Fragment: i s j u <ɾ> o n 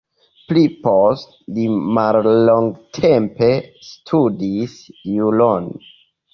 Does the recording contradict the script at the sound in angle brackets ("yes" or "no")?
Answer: yes